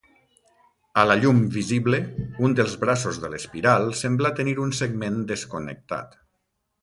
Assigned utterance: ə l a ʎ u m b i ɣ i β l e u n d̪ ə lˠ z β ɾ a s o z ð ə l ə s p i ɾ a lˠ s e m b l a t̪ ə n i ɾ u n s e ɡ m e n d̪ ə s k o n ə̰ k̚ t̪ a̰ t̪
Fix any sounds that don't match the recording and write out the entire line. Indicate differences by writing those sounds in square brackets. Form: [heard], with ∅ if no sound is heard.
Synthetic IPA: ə l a ʎ u m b i [z] i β l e u n d̪ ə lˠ z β ɾ a s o z ð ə l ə s p i ɾ a lˠ s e m b l a t̪ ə n i ɾ u n s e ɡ m e n d̪ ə s k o n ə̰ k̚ t̪ a̰ t̪